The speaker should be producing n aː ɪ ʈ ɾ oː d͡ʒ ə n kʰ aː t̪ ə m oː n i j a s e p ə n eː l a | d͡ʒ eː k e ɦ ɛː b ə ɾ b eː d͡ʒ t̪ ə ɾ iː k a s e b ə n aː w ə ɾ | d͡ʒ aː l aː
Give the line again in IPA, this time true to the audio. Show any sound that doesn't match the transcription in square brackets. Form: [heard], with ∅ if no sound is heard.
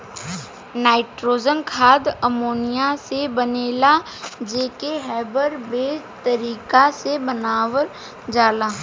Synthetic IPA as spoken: n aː ɪ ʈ ɾ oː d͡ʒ ə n kʰ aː [d̪] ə m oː n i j a s e [b] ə n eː l a | d͡ʒ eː k e ɦ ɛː b ə ɾ b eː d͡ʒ t̪ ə ɾ iː k a s e b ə n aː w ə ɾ | d͡ʒ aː l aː